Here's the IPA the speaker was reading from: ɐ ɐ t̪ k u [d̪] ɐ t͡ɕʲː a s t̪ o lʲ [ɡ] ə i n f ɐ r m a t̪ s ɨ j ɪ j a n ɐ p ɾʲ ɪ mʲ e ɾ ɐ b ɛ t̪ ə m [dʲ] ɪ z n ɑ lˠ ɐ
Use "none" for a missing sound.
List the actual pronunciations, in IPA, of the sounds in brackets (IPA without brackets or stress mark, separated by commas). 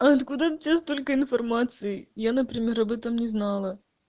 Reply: d̪, k, nʲ